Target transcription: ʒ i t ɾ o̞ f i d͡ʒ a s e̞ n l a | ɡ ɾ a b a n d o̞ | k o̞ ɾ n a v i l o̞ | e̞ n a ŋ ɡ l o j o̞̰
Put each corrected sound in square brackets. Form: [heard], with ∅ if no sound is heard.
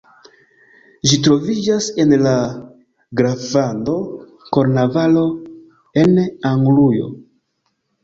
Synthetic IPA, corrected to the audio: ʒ i t ɾ o̞ [v] i d͡ʒ a s e̞ n l a | ɡ ɾ a [v] a n d o̞ | k o̞ ɾ n a v [a] l o̞ | e̞ n a ŋ ɡ l [u] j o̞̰

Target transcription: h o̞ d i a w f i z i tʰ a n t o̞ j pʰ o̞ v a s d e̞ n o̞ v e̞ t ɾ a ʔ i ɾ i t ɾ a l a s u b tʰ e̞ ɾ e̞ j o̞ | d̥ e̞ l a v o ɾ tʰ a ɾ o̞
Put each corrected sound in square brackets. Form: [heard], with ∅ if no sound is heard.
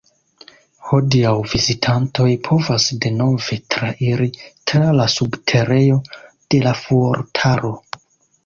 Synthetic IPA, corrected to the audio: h o̞ d i a w [v] i z i tʰ a n t o̞ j pʰ o̞ v a s d e̞ n o̞ v e̞ t ɾ a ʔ i ɾ i t ɾ a l a s u b tʰ e̞ ɾ e̞ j o̞ | d̥ e̞ l a [f] o ɾ tʰ a ɾ o̞

